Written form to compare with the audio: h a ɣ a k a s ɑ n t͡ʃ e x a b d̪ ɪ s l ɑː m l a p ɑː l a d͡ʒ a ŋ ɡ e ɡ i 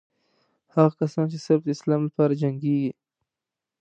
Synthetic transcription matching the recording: h a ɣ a k a s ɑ n t͡ʃ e s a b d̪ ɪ s l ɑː m l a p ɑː ɾ a d͡ʒ a ŋ ɡ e ɡ i